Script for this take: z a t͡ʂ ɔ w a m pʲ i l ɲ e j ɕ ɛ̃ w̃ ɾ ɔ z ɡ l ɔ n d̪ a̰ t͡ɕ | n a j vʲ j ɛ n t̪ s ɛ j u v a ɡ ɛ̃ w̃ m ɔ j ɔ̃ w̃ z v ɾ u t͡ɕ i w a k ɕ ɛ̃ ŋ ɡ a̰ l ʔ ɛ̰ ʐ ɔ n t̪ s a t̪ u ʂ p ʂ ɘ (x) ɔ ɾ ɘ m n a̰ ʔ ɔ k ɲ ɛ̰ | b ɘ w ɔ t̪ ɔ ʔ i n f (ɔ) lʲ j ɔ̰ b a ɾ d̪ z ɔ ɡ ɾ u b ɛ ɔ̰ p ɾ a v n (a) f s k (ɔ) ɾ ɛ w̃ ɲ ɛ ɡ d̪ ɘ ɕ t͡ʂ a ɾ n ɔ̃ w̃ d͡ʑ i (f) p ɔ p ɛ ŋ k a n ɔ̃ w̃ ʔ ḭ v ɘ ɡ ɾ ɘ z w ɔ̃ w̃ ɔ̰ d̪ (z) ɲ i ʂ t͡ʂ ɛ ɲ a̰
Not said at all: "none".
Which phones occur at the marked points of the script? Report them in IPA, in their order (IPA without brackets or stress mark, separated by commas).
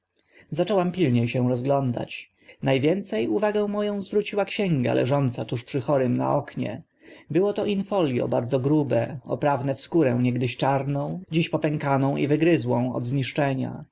x, ɔ, ɛ, u, ɕ, z